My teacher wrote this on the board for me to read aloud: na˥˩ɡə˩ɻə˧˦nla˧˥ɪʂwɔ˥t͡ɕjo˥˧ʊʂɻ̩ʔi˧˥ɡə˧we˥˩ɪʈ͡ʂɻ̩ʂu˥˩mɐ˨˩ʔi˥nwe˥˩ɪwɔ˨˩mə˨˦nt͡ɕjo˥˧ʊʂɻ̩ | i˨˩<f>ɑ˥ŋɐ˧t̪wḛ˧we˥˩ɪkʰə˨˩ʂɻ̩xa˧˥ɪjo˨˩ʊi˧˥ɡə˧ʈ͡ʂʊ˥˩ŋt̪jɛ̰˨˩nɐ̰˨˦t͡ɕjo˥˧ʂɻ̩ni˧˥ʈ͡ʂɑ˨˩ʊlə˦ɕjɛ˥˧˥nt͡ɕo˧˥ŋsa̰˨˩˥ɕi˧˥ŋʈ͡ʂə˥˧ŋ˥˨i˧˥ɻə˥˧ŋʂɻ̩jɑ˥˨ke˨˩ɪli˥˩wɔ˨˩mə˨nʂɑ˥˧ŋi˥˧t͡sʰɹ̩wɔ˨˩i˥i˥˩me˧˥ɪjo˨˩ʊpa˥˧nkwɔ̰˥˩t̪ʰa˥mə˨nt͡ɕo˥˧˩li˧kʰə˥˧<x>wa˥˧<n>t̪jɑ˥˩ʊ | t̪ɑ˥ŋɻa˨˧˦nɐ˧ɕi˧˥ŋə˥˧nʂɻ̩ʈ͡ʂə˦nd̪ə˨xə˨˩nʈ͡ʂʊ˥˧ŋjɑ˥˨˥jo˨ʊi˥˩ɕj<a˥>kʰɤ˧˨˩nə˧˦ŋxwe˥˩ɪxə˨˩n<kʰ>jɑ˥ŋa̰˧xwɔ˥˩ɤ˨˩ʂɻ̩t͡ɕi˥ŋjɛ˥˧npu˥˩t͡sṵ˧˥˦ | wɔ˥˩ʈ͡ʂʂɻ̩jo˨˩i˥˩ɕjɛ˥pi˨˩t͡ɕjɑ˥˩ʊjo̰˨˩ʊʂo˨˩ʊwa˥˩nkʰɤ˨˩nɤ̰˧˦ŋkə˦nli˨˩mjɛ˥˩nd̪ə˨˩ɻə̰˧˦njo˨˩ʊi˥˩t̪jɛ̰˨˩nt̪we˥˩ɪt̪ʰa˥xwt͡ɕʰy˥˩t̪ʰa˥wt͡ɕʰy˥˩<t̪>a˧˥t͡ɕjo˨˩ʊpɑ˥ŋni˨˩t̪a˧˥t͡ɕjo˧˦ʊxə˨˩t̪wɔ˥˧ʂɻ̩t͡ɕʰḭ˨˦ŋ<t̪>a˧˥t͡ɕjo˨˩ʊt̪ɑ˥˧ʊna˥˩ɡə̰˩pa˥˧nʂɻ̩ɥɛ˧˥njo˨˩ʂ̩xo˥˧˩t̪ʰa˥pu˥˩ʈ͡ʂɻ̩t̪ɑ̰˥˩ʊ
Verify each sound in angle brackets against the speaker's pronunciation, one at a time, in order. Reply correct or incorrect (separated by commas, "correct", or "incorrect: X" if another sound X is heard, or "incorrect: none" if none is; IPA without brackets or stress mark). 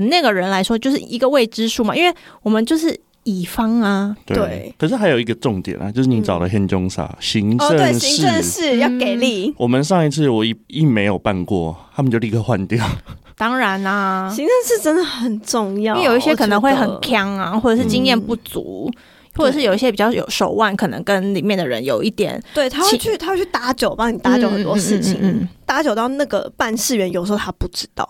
correct, correct, correct, incorrect: ɛ˥, correct, correct, correct